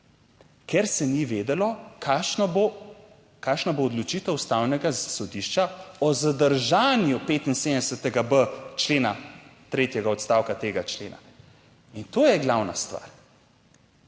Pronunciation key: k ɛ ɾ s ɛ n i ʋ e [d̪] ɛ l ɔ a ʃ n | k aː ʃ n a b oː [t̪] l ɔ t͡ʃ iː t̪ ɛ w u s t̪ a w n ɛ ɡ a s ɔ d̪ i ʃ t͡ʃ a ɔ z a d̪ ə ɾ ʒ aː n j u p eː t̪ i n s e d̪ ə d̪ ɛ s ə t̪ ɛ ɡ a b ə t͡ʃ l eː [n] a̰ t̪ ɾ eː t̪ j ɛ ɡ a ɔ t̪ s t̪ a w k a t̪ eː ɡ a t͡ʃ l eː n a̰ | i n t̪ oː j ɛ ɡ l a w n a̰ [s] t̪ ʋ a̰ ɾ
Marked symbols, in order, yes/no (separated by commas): yes, no, yes, yes